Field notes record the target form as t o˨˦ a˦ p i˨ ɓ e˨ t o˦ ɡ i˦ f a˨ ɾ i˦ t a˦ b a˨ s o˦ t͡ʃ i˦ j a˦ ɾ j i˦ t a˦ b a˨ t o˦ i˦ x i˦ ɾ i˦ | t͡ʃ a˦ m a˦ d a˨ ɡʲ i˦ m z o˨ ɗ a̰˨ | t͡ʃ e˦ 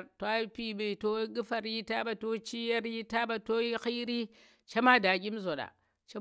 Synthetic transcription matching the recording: t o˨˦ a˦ p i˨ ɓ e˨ t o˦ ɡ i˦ f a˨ ɾ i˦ t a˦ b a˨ t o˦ t͡ʃ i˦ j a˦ ɾ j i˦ t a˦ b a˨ t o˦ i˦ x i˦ ɾ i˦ | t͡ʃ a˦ m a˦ d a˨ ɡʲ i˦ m z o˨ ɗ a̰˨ | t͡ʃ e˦